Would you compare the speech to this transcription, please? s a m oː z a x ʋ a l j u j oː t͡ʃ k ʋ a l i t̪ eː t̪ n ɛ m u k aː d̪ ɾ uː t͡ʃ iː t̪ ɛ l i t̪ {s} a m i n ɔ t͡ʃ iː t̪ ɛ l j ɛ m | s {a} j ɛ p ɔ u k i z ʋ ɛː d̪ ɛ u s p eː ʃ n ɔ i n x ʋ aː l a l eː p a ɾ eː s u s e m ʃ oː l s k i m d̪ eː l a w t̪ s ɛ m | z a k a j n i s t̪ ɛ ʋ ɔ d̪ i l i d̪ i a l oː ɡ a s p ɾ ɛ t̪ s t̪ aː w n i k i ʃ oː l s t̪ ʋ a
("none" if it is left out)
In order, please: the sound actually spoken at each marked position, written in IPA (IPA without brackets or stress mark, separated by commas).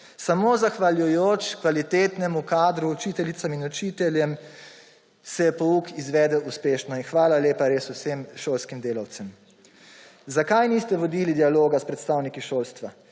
s, ɛ